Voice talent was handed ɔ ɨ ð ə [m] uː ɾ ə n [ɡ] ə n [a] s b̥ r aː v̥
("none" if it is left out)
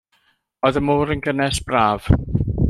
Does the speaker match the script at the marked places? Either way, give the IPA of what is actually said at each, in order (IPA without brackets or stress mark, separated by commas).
m, ɡ, ɛ